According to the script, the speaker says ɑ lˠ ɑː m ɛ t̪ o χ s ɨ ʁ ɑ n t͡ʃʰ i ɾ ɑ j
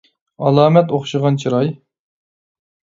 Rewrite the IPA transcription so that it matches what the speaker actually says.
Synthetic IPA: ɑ lˠ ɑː m ɛ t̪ o χ ʃ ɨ ʁ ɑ n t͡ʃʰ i ɾ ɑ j